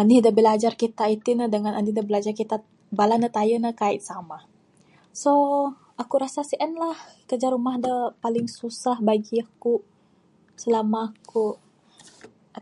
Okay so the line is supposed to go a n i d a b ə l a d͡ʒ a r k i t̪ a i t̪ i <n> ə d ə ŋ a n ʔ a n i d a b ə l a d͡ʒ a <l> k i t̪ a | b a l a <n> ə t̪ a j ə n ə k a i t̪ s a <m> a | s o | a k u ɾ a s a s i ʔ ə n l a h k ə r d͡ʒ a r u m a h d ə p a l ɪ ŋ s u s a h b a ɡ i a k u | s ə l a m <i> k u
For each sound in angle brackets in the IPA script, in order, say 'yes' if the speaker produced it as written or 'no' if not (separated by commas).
yes, no, yes, yes, no